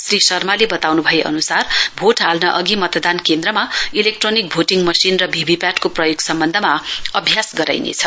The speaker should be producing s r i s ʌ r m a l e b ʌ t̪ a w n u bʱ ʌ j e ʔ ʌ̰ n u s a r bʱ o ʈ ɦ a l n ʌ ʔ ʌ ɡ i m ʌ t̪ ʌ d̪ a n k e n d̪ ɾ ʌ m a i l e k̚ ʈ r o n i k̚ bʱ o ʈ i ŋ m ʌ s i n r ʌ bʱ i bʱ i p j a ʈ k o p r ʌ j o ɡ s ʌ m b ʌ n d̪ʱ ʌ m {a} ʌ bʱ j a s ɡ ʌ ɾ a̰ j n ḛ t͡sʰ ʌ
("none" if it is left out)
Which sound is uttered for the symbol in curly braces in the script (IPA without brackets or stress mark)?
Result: a